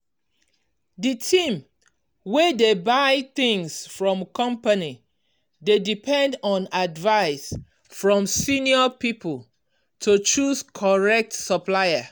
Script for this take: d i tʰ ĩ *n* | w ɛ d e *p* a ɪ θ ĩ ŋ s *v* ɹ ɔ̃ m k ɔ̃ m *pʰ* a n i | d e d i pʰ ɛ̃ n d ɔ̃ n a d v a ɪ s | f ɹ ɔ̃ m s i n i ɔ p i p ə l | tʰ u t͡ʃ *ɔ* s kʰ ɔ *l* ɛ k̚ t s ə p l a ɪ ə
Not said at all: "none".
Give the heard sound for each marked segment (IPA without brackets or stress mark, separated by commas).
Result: m, b, f, p, u, ɹ